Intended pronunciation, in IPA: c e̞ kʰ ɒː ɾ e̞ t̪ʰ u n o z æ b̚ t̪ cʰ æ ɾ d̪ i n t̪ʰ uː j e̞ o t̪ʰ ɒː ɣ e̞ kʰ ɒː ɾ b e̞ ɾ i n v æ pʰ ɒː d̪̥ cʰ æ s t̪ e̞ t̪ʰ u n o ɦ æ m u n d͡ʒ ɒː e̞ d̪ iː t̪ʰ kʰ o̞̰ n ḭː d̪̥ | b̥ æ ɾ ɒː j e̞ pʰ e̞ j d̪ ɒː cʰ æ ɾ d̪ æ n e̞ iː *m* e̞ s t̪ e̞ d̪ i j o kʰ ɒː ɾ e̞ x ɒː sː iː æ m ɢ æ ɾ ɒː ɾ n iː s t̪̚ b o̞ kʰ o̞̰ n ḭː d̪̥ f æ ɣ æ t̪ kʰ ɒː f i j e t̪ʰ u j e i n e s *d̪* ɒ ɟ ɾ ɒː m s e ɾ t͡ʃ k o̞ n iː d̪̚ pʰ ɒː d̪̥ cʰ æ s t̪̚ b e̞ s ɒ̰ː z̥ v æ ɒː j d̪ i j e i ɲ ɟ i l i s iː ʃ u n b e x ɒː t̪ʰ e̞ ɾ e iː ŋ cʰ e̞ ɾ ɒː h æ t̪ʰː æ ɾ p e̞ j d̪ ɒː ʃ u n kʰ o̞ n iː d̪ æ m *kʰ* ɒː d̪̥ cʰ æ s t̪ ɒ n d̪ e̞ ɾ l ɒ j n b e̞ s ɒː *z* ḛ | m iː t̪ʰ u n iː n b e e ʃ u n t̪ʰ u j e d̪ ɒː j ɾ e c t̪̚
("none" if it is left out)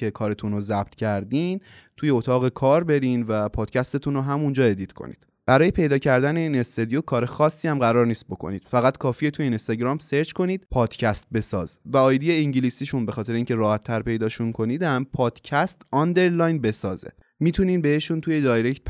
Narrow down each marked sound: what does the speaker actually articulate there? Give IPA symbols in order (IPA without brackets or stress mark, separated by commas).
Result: n, t̪, pʰ, z